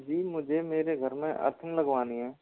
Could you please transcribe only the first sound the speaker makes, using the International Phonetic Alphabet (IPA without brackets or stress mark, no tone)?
d͡ʒ